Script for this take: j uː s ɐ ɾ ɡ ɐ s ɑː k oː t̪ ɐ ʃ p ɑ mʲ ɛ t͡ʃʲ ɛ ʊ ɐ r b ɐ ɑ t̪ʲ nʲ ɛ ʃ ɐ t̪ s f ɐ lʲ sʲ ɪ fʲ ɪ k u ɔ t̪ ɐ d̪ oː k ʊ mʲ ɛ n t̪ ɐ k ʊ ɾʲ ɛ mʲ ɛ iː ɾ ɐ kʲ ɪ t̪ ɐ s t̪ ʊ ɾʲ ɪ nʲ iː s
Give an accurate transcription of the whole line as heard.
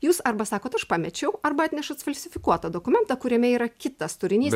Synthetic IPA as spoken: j uː s ɐ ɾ b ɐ s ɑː k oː t̪ ɐ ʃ p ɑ mʲ ɛ t͡ʃʲ ɛ ʊ ɐ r b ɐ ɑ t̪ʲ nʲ ɛ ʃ ɐ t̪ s f ɐ lʲ sʲ ɪ fʲ ɪ k u ɔ t̪ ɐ d̪ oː k ʊ mʲ ɛ n t̪ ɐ k ʊ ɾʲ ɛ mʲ ɛ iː ɾ ɐ kʲ ɪ t̪ ɐ s t̪ ʊ ɾʲ ɪ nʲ iː s